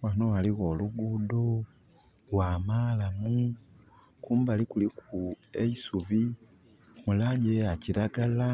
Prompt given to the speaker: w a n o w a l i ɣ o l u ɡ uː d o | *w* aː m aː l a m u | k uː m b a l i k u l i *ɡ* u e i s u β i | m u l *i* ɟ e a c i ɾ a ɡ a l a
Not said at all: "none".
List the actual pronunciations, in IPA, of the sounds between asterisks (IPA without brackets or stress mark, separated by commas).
w, k, a